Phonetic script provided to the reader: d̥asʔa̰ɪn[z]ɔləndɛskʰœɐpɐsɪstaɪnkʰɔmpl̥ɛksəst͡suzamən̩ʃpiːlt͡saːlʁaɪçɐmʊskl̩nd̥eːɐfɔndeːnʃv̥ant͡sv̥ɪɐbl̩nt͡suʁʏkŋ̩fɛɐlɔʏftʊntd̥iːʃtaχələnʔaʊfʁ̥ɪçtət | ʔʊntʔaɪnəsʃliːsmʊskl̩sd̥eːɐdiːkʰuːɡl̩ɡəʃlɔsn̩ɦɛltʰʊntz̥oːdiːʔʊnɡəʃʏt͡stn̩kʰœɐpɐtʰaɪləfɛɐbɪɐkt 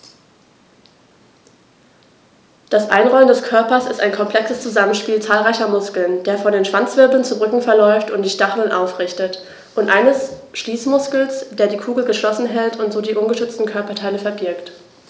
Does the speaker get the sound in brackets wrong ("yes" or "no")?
yes